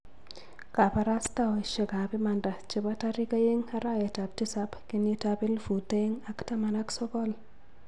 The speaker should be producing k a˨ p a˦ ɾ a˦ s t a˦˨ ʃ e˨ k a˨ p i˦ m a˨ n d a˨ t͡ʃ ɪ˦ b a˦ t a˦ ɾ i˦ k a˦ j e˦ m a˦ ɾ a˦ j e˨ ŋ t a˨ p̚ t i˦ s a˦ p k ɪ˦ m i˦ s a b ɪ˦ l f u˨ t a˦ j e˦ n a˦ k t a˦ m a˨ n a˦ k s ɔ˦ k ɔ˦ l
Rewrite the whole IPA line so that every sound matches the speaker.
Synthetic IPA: k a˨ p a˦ ɾ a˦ s t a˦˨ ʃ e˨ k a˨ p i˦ m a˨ n d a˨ t͡ʃ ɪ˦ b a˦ t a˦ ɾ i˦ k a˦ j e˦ ŋ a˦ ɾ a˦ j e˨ t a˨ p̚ t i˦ s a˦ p k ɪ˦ n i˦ t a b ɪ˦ l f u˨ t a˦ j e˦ ŋ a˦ k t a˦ m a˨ n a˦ k s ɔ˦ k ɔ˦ l